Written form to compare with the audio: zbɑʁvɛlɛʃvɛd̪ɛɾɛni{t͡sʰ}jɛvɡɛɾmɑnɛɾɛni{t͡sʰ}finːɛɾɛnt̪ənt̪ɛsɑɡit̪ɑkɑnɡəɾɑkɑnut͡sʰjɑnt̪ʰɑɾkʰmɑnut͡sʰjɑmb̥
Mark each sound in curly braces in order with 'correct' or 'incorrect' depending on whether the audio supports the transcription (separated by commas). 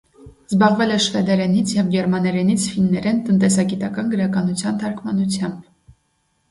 correct, correct